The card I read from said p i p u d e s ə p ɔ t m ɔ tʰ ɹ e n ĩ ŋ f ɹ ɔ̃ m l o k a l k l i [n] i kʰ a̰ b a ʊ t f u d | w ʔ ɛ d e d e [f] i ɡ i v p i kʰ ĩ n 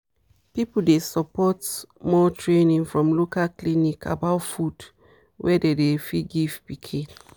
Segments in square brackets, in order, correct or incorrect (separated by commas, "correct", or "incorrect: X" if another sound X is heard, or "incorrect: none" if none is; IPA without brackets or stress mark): correct, correct